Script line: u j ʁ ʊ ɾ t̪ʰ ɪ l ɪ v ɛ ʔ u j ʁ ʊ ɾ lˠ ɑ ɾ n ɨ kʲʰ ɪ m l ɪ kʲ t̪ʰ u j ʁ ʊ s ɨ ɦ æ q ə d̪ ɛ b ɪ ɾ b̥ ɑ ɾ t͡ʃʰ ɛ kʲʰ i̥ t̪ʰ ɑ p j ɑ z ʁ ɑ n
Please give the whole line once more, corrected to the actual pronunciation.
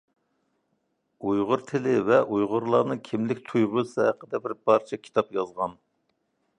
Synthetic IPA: u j ʁ ʊ ɾ t̪ʰ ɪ l ɪ v ɛ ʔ u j ʁ ʊ ɾ lˠ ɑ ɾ n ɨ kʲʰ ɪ m l ɪ kʲ t̪ʰ u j ʁ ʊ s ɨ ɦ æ q ə d̪ ɛ b ɪ ɾ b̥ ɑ ɾ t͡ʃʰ ɛ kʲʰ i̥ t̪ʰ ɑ p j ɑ z ʁ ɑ n